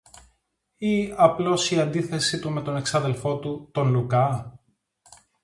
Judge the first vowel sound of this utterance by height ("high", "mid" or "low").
high